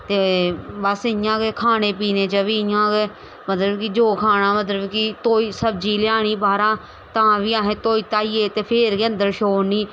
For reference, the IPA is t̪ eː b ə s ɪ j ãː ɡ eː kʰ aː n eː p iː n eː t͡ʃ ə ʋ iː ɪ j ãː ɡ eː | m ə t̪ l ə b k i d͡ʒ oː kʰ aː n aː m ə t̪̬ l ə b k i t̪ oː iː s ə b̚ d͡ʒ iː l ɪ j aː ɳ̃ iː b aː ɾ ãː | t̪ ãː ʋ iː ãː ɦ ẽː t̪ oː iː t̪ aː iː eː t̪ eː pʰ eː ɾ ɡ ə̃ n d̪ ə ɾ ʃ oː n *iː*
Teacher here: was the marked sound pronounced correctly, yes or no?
yes